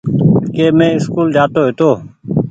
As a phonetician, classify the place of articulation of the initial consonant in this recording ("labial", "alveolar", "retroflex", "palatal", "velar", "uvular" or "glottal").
velar